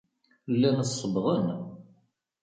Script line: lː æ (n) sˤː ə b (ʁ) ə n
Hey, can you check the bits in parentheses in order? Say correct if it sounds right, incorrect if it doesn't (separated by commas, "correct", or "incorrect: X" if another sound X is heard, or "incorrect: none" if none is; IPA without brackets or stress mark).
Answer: correct, correct